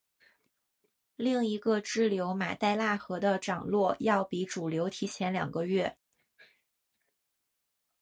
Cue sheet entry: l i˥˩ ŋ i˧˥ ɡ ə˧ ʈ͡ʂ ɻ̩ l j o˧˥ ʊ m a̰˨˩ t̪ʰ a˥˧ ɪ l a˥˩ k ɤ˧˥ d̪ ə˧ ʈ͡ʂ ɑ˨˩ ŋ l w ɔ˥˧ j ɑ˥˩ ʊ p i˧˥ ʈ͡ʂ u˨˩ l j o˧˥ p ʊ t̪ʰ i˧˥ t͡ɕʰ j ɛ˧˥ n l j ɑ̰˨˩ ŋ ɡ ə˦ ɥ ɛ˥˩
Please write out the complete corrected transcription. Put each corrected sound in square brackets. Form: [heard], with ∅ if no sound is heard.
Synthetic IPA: l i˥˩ ŋ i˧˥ ɡ ə˧ ʈ͡ʂ ɻ̩ l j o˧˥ ʊ m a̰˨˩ [t̪] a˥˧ ɪ l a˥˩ [x] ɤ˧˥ d̪ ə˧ ʈ͡ʂ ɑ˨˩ ŋ l w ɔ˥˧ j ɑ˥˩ ʊ p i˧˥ ʈ͡ʂ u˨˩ l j o˧˥ [∅] ʊ t̪ʰ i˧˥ t͡ɕʰ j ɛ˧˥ n l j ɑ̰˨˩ ŋ ɡ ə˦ ɥ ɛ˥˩